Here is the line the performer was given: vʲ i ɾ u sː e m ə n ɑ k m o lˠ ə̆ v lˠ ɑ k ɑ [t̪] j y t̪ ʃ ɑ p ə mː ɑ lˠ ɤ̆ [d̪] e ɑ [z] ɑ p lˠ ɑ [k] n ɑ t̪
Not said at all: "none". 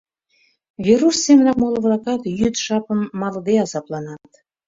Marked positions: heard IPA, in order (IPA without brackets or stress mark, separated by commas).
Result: t̪, d̪, z, none